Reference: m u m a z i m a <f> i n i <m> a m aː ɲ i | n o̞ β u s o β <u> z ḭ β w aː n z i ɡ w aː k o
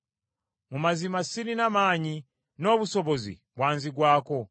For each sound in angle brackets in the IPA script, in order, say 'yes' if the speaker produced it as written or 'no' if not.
no, no, no

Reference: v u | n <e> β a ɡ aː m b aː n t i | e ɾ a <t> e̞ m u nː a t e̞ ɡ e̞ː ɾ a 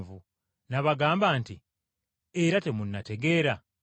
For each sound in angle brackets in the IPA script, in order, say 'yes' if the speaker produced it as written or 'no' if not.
no, yes

